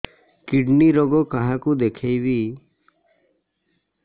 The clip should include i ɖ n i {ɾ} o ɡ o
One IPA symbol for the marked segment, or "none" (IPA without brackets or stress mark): ɾ